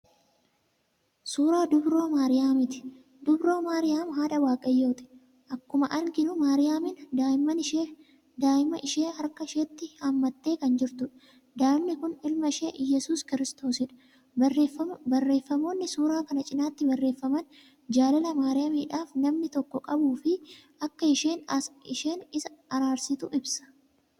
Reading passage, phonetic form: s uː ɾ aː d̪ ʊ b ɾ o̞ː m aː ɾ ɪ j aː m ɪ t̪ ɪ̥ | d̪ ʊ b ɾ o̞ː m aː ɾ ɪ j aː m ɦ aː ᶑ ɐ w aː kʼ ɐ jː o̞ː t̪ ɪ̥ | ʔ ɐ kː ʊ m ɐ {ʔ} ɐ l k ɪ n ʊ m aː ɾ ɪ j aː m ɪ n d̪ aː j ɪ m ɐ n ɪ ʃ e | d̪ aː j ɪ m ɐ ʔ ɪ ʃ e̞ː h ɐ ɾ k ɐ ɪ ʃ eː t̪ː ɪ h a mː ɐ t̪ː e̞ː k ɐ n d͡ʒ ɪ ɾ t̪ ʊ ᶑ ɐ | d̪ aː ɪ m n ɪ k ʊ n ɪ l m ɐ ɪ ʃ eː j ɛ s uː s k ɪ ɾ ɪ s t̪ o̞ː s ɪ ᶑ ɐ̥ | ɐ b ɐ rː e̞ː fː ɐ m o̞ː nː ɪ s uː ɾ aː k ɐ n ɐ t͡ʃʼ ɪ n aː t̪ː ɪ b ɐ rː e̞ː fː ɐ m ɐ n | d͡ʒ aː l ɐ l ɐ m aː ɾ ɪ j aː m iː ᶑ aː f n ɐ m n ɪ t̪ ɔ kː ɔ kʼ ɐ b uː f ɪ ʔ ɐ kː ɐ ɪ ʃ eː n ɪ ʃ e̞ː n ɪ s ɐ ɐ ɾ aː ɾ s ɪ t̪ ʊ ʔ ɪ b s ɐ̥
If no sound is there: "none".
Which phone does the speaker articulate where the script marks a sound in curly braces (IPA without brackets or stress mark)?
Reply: ʔ